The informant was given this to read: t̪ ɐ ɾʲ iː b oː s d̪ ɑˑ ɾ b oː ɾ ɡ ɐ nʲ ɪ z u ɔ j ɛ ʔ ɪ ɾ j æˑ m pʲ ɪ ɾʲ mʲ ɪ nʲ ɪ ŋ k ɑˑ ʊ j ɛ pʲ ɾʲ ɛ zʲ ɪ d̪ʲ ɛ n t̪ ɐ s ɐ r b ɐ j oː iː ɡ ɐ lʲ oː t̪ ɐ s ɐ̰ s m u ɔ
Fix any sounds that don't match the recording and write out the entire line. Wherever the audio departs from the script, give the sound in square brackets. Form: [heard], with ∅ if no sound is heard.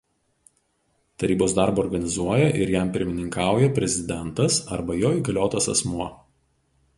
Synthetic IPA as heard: t̪ ɐ ɾʲ iː b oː s d̪ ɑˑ ɾ b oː ɾ ɡ ɐ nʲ ɪ z u ɔ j ɛ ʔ ɪ ɾ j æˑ m pʲ ɪ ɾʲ mʲ ɪ nʲ ɪ ŋ k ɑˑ ʊ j ɛ pʲ ɾʲ ɛ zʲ ɪ d̪ʲ ɛ n t̪ ɐ s ɐ [ɾ] b ɐ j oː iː ɡ ɐ lʲ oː t̪ ɐ s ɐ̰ s m u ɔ